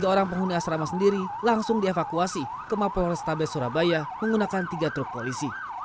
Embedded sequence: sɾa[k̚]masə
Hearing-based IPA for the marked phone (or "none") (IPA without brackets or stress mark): none